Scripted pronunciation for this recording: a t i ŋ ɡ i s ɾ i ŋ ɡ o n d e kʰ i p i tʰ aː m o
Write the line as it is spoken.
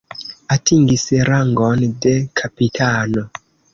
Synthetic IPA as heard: a t i ŋ ɡ i s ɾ a ŋ ɡ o n d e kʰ a p i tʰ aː n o